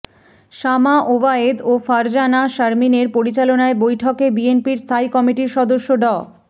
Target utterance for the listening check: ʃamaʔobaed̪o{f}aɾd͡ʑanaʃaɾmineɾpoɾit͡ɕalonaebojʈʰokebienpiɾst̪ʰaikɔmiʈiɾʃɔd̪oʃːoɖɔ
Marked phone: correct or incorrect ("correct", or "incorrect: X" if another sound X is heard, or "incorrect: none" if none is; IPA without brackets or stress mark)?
correct